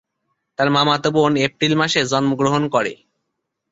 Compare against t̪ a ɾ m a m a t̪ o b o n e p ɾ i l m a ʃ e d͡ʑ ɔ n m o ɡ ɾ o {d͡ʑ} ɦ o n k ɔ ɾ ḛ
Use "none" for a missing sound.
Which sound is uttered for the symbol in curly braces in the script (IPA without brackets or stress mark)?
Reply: none